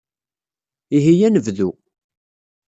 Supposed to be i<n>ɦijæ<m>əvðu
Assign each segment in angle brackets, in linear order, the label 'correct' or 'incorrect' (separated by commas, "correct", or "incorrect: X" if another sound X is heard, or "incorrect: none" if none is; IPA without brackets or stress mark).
incorrect: none, incorrect: n